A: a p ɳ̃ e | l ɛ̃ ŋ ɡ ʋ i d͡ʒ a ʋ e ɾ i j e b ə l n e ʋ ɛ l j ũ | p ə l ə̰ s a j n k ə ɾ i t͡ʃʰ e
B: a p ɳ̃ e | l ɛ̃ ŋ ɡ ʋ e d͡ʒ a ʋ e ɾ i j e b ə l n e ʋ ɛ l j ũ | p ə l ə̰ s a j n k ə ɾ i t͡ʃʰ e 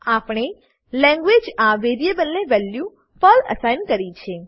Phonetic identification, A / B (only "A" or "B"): B